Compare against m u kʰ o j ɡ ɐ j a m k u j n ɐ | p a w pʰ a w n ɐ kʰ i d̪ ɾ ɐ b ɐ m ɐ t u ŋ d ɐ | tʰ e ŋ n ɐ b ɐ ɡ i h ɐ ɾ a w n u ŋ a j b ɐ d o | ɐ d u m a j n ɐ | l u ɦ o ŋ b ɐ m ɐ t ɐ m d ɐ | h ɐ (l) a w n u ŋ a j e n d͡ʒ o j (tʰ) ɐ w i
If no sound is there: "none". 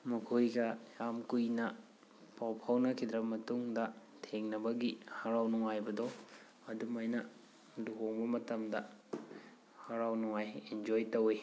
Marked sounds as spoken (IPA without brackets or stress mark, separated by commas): ɾ, t